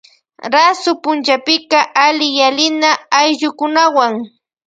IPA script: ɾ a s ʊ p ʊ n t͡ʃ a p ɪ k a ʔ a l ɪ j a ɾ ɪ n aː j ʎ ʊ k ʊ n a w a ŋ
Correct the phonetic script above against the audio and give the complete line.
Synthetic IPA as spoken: ɾ a s ʊ p ʊ n t͡ʃ a p ɪ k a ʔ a l ɪ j a l ɪ n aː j ʎ ʊ k ʊ n a w a ŋ